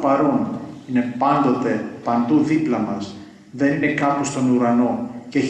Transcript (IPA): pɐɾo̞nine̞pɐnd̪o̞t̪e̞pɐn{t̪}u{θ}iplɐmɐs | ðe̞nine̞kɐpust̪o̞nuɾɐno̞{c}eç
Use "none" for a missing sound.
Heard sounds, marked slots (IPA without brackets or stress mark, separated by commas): d̪, ð, c